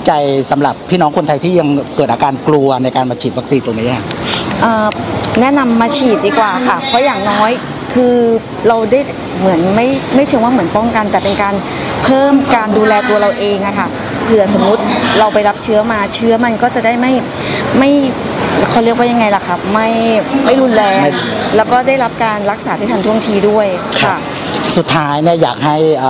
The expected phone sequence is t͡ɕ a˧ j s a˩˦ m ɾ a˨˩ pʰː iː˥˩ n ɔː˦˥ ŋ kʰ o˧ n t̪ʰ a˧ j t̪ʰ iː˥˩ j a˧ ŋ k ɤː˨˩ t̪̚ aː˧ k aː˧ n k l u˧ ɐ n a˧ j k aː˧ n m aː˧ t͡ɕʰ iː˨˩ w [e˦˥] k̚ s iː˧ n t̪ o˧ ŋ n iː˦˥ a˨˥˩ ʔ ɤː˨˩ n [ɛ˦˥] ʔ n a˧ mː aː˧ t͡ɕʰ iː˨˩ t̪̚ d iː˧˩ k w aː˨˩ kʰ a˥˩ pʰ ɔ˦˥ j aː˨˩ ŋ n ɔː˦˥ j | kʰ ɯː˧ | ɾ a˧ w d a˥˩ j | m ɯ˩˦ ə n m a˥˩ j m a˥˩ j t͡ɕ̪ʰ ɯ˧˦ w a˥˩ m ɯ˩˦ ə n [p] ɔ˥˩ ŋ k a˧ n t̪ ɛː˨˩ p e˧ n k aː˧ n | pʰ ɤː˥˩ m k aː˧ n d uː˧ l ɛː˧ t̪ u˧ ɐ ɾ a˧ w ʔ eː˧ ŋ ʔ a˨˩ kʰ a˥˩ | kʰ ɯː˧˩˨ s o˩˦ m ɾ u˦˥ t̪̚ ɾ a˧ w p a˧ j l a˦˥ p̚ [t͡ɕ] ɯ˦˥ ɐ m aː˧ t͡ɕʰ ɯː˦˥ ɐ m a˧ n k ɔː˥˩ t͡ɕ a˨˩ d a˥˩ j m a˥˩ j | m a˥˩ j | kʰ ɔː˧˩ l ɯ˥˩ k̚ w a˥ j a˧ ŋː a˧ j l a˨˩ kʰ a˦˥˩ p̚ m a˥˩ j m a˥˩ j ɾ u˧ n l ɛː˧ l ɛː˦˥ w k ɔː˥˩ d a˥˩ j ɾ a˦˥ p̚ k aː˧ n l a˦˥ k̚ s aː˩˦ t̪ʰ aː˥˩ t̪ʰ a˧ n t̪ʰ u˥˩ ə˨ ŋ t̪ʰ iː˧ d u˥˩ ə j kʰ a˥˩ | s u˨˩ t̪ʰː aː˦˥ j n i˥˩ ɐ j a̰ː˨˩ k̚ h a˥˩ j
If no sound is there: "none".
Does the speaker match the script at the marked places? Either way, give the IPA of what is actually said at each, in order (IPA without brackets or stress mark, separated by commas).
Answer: a˦˥, ɛ˦˥, p, t͡ɕʰ